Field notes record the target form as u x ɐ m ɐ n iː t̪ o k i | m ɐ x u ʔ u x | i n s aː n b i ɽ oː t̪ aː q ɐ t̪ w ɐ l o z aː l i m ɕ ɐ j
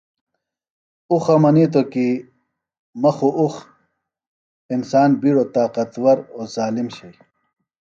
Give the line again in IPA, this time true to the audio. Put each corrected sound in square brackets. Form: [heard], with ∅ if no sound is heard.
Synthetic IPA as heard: u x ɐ m ɐ n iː t̪ o k i | m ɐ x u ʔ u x | i n s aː n b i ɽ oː t̪ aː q ɐ t̪ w ɐ [ɾ] o z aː l i m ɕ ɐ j